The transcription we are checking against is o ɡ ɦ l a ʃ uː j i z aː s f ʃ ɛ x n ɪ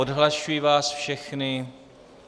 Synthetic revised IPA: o d ɦ l a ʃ u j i v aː s f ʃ ɛ x n ɪ